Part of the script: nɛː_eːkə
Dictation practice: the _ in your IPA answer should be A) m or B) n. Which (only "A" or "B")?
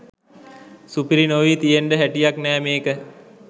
A